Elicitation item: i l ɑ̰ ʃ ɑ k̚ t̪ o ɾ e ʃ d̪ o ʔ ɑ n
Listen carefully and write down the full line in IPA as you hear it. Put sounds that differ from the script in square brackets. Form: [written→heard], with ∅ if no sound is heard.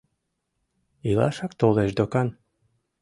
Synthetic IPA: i l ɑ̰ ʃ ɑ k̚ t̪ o [ɾ→l] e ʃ d̪ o [ʔ→k] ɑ n